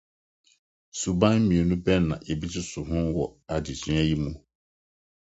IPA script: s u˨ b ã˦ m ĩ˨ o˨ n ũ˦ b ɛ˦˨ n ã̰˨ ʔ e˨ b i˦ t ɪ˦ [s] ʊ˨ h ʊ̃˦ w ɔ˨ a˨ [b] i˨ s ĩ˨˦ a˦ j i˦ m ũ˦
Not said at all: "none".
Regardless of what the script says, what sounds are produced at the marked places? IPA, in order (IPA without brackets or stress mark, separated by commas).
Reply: s, d